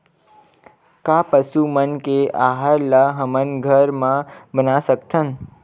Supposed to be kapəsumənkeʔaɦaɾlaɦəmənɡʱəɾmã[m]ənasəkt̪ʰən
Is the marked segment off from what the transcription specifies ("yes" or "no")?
yes